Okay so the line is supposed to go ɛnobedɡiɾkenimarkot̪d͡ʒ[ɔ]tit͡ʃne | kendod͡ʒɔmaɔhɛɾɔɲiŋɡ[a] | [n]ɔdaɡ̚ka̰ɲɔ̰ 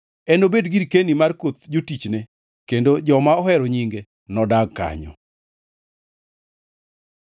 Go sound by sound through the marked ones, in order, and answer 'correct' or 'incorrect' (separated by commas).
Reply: incorrect, incorrect, correct